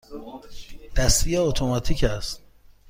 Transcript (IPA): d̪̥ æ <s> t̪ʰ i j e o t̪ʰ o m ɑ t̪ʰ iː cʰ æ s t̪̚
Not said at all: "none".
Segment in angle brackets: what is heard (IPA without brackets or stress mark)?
s